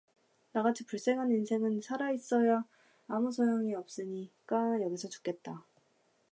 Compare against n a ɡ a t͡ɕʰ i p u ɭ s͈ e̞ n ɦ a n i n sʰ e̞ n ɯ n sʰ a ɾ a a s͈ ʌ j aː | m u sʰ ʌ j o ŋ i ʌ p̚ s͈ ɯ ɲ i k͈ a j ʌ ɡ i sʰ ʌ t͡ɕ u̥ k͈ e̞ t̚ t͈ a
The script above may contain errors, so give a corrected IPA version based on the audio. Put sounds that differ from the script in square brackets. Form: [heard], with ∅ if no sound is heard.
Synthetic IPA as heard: n a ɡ a t͡ɕʰ i p u ɭ s͈ e̞ [ŋ] ɦ a n i n sʰ e̞ [ŋ] ɯ n sʰ a ɾ a [i] s͈ ʌ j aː | m u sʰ ʌ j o ŋ i ʌ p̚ s͈ ɯ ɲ i k͈ a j ʌ ɡ i sʰ ʌ t͡ɕ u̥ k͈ e̞ t̚ t͈ a